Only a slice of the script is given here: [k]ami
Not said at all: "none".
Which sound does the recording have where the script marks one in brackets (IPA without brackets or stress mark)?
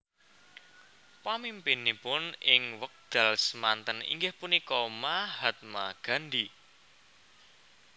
p